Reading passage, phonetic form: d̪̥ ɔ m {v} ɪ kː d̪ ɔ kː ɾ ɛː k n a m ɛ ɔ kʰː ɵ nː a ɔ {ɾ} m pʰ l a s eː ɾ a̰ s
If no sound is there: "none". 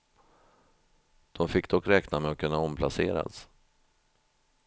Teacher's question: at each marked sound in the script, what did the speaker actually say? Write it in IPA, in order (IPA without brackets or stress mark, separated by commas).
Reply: f, none